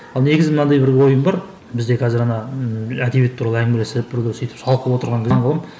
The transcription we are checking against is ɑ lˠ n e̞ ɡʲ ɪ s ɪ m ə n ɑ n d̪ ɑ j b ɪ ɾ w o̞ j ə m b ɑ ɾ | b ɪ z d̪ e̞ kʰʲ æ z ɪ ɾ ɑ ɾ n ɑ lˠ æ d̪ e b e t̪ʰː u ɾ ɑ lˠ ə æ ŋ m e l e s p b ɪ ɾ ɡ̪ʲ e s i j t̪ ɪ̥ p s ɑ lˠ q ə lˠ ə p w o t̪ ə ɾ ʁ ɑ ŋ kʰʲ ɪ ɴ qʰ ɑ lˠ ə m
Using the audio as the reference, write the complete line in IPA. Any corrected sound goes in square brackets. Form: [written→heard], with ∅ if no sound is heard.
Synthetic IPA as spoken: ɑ lˠ n e̞ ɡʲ ɪ [s→z] ɪ m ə n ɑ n d̪ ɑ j b ɪ ɾ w o̞ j ə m b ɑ ɾ | b ɪ z d̪ e̞ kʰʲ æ z ɪ ɾ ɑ [ɾ→∅] n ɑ [lˠ→∅] æ d̪ e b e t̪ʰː u ɾ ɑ lˠ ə æ ŋ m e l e s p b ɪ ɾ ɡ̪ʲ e s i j t̪ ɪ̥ p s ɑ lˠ q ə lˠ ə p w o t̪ ə ɾ ʁ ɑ ŋ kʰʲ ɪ ɴ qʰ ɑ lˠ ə m

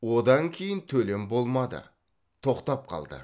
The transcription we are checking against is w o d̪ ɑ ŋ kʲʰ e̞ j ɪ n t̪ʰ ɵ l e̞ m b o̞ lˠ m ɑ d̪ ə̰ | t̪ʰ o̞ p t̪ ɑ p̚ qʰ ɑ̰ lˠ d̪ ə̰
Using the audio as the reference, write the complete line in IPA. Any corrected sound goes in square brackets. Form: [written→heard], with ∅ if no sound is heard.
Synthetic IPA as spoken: w o d̪ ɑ ŋ kʲʰ e̞ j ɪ n t̪ʰ ɵ l e̞ m b o̞ lˠ m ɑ d̪ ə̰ | t̪ʰ o̞ [p→q] t̪ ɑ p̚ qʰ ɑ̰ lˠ d̪ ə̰

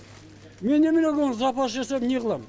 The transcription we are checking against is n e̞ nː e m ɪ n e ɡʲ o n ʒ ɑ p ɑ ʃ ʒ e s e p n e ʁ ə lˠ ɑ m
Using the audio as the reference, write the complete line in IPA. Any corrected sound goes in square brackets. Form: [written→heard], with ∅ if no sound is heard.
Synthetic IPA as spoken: [n→m] e̞ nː e m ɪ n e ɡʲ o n [ʒ→z] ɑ p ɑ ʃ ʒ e s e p n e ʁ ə lˠ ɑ m

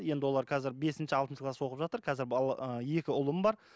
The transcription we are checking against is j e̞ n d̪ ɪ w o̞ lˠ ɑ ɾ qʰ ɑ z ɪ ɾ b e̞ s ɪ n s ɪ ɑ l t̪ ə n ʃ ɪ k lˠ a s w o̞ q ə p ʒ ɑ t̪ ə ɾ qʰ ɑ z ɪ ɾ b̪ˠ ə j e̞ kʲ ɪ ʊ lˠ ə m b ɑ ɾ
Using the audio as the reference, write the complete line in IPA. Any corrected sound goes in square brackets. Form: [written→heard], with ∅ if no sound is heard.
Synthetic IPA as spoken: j e̞ n d̪ ɪ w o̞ lˠ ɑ ɾ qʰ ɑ z ɪ ɾ b e̞ s ɪ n [s→ʃ] ɪ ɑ l t̪ ə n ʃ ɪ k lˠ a s w o̞ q ə p ʒ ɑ t̪ ə ɾ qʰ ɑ z ɪ ɾ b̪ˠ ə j e̞ kʲ ɪ ʊ lˠ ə m b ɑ ɾ

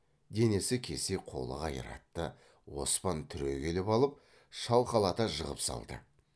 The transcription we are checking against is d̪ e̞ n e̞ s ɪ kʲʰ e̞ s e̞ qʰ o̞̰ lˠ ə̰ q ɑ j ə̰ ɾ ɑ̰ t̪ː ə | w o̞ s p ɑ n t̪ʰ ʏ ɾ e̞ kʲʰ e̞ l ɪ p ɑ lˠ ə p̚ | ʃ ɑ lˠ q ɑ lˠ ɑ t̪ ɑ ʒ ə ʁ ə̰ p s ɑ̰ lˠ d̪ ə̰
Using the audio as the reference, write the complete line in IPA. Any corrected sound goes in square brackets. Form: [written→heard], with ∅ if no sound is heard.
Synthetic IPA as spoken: d̪ e̞ n e̞ s ɪ kʲʰ e̞ s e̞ qʰ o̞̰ lˠ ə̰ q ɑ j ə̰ ɾ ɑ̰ t̪ː ə | w o̞ s p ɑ n t̪ʰ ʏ ɾ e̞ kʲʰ e̞ l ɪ p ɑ lˠ ə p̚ | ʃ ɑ lˠ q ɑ lˠ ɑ t̪ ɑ ʒ ə ʁ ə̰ p s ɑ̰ lˠ d̪ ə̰

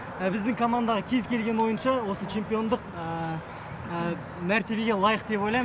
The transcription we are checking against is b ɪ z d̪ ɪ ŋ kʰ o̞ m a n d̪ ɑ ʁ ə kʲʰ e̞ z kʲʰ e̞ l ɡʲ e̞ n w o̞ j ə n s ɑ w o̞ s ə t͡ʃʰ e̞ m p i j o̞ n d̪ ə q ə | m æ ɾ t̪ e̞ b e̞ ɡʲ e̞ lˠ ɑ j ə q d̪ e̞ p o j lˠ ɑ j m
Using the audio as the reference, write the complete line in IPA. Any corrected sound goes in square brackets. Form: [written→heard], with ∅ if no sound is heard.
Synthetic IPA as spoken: b ɪ z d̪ ɪ ŋ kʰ o̞ m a n d̪ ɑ ʁ ə kʲʰ e̞ z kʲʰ e̞ l ɡʲ e̞ n w o̞ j ə n [s→ʃ] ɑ w o̞ s ə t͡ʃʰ e̞ m p i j o̞ n d̪ ə q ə | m æ ɾ t̪ e̞ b e̞ ɡʲ e̞ lˠ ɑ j ə q d̪ e̞ p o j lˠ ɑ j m

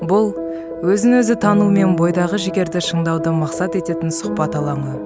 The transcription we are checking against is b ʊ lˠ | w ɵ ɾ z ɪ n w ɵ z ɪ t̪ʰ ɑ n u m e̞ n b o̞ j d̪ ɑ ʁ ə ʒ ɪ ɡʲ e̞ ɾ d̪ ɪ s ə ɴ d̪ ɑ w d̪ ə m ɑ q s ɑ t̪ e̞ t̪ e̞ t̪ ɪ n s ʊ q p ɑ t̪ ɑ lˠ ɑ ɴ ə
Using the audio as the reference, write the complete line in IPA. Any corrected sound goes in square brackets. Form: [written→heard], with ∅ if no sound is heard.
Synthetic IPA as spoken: b ʊ lˠ | w ɵ [ɾ→∅] z ɪ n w ɵ z ɪ t̪ʰ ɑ n u m e̞ n b o̞ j d̪ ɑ ʁ ə ʒ ɪ ɡʲ e̞ ɾ d̪ ɪ [s→ʃ] ə ɴ d̪ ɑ w d̪ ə m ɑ q s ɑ t̪ e̞ t̪ e̞ t̪ ɪ n s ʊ q p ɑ t̪ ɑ lˠ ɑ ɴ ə

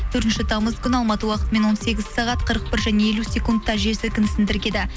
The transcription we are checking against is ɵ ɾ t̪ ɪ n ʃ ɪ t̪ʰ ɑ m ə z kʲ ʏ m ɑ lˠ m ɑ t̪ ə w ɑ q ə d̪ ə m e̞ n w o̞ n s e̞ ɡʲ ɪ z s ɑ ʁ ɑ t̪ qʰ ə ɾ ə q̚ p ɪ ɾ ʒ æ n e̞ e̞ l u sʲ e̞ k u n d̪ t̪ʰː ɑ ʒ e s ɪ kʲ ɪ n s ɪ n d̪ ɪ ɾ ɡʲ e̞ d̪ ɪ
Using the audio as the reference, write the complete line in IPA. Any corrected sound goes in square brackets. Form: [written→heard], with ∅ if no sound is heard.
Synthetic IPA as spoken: ɵ ɾ t̪ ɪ n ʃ ɪ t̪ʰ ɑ m ə z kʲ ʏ [m→n] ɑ lˠ m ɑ t̪ ə w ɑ q ə [d̪→t̪] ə m e̞ n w o̞ n s e̞ ɡʲ ɪ z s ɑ ʁ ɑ t̪ qʰ ə ɾ ə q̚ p ɪ ɾ ʒ æ n e̞ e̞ l u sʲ e̞ k u n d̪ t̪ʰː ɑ ʒ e s ɪ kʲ ɪ n s ɪ n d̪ ɪ ɾ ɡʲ e̞ d̪ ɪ

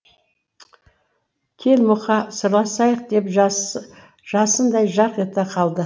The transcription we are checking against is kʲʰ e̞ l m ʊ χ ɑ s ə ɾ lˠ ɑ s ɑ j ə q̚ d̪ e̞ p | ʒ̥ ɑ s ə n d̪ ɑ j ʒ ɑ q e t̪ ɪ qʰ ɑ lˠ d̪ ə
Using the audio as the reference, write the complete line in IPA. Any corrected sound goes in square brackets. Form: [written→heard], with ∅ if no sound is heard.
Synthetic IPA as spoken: kʲʰ e̞ l m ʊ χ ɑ s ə ɾ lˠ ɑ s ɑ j ə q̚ d̪ e̞ p | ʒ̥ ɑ s ə n d̪ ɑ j ʒ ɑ q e t̪ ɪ qʰ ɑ lˠ d̪ ə

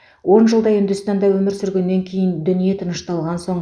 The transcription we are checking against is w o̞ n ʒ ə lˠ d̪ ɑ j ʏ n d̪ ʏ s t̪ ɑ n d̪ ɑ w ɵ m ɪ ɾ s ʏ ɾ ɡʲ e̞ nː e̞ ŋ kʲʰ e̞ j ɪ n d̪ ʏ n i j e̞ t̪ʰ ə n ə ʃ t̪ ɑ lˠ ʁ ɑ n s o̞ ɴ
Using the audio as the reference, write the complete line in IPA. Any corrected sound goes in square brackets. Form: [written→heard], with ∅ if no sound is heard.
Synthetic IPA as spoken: w o̞ n ʒ ə lˠ d̪ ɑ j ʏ n d̪ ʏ s t̪ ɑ n d̪ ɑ w ɵ m ɪ ɾ s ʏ ɾ ɡʲ e̞ nː e̞ ŋ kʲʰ e̞ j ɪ n d̪ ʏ n i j e̞ t̪ʰ ə n ə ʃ t̪ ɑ lˠ ʁ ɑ n s o̞ ɴ

